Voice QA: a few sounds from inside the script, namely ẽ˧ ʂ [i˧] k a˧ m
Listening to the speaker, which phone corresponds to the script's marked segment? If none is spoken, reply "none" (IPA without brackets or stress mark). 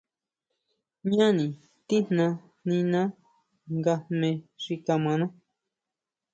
i˧